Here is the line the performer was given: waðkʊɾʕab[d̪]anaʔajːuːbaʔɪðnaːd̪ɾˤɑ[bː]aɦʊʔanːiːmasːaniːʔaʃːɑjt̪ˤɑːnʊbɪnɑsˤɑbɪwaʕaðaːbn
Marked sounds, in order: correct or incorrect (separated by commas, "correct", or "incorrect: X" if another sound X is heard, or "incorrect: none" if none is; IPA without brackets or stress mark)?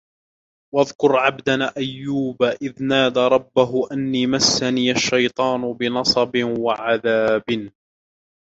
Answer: correct, correct